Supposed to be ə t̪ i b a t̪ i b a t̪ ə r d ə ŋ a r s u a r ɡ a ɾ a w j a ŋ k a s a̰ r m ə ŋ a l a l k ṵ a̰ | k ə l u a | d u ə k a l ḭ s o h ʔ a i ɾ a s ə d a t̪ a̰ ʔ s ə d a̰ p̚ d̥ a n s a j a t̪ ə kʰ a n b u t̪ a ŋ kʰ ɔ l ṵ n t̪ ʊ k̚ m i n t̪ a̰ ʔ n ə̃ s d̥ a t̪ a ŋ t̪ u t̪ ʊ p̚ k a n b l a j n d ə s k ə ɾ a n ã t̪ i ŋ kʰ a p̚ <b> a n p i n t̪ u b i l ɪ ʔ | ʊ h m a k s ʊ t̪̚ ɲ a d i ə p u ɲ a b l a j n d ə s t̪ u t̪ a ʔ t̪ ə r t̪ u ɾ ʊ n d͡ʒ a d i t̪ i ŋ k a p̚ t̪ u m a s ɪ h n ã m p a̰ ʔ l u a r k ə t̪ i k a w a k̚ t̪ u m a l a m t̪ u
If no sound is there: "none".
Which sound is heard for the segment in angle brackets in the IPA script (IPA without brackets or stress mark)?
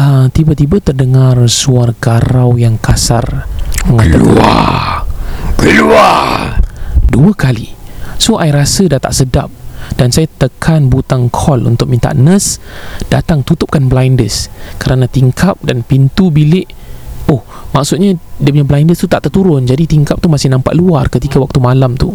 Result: d